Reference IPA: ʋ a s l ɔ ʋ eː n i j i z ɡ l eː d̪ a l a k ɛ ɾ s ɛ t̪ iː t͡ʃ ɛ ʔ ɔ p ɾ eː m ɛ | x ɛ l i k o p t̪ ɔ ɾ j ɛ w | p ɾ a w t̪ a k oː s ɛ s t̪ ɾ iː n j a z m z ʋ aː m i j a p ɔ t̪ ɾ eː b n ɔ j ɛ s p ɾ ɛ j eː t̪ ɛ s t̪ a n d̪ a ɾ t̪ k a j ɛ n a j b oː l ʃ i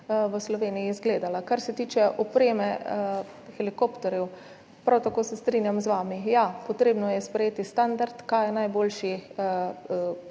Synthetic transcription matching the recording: ʋ ə s l ɔ ʋ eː n i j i z ɡ l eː d̪ a l a k a ɾ s ɛ t̪ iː t͡ʃ ɛ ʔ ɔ p ɾ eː m ɛ | x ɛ l i k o p t̪ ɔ ɾ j ɛ w | p ɾ a w t̪ a k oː s ɛ s t̪ ɾ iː n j a m z ʋ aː m i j a p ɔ t̪ ɾ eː b n ɔ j ɛ s p ɾ ɛ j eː t̪ i s t̪ a n d̪ a ɾ t̪ k a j ɛ n a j b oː l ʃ i